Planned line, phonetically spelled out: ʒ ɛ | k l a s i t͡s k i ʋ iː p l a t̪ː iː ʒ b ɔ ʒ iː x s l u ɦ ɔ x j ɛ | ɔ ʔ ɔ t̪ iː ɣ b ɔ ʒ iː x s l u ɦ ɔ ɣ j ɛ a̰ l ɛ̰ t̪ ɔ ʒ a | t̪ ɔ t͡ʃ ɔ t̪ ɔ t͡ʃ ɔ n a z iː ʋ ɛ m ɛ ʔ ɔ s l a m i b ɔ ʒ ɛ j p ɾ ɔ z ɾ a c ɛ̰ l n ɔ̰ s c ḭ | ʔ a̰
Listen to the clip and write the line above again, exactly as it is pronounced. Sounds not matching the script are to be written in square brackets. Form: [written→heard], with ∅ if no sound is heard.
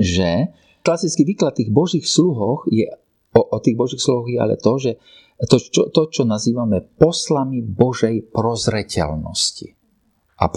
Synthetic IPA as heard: ʒ ɛ | k l a s i t͡s k i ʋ iː [p→k] l a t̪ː iː [ʒ→ɣ] b ɔ ʒ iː x s l u ɦ ɔ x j ɛ | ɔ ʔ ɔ t̪ iː ɣ b ɔ ʒ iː x s l u ɦ ɔ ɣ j ɛ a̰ l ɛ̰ t̪ ɔ ʒ [a→ɛ] | t̪ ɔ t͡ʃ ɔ t̪ ɔ t͡ʃ ɔ n a z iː ʋ [ɛ→a] m ɛ [ʔ→p] ɔ s l a m i b ɔ ʒ ɛ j p ɾ ɔ z ɾ [a→ɛ] c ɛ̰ l n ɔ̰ s c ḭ | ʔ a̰